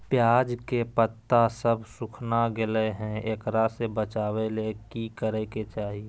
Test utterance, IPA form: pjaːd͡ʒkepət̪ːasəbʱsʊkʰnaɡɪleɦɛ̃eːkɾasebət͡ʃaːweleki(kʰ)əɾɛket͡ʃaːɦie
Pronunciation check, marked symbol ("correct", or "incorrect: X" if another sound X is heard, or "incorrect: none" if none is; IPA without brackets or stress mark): incorrect: k